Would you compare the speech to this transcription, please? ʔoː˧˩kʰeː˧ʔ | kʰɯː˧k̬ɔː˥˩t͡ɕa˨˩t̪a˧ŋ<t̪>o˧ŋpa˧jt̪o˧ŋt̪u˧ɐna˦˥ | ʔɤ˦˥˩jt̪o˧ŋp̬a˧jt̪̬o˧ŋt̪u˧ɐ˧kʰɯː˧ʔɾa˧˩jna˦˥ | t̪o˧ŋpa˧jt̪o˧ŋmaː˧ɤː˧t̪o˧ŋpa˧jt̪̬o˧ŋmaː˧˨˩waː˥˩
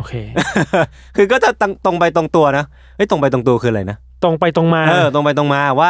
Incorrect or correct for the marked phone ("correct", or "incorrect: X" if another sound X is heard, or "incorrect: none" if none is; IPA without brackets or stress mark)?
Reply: correct